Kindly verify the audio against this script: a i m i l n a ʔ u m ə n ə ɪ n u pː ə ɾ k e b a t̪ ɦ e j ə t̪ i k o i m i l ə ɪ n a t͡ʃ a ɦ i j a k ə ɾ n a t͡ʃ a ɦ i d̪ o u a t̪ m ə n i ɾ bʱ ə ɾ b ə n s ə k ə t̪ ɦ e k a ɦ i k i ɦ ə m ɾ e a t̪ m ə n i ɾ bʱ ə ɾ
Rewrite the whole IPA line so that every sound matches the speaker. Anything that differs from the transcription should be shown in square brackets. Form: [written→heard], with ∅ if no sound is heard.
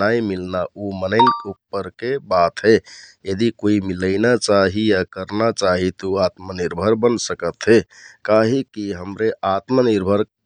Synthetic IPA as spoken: a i m i l n a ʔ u m ə n ə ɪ n u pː ə ɾ k e b a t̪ ɦ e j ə [t̪→d̪] i k o i m i l ə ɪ n a t͡ʃ a ɦ i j a k ə ɾ n a t͡ʃ a ɦ i [d̪→t̪] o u a t̪ m ə n i ɾ bʱ ə ɾ b ə n s ə k ə t̪ ɦ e k a ɦ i k i ɦ ə m ɾ e a t̪ m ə n i ɾ bʱ ə ɾ